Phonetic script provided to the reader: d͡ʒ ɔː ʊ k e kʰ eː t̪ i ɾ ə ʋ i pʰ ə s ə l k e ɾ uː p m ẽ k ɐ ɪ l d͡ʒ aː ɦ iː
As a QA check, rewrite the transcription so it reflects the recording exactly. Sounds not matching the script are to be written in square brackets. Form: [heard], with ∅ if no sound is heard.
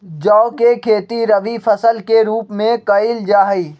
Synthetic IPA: d͡ʒ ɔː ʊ k e kʰ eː t̪ i ɾ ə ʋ i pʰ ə s ə l k e ɾ uː p m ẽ k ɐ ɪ l d͡ʒ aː ɦ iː